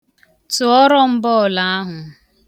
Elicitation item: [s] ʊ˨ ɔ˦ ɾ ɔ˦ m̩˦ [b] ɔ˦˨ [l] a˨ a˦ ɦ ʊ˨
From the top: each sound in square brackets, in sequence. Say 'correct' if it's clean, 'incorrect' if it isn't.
incorrect: t, correct, correct

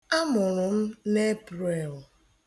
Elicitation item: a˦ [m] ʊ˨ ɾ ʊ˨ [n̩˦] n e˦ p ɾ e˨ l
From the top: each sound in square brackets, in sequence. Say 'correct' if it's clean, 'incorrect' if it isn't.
correct, incorrect: m̩˦

